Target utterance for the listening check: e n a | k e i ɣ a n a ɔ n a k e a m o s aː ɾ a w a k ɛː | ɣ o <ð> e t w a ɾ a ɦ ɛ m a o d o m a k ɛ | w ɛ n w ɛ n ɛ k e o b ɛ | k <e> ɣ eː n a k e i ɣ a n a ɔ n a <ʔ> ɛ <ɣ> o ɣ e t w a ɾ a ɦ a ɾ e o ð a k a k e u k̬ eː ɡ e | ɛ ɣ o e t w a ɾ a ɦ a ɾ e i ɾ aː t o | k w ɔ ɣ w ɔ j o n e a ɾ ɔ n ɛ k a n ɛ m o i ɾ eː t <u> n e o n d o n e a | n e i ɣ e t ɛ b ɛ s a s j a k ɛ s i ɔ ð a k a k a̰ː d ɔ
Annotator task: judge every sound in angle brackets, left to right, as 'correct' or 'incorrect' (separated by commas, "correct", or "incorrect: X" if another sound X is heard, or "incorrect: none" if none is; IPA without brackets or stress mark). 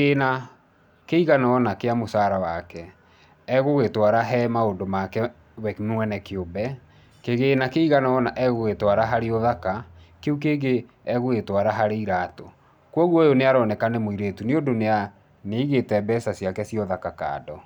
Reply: incorrect: ɣ, correct, correct, correct, correct